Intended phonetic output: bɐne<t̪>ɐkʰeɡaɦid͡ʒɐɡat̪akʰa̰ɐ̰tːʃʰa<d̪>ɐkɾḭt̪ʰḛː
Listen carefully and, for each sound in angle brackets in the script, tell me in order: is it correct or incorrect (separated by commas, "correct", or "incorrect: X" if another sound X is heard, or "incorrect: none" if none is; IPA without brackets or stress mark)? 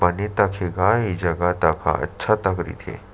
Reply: correct, incorrect: t̪